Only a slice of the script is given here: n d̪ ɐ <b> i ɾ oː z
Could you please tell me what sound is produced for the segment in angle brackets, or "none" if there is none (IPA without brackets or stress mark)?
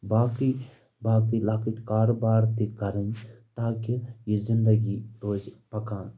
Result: ɡ